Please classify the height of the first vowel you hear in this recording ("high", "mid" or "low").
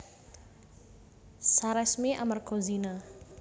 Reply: low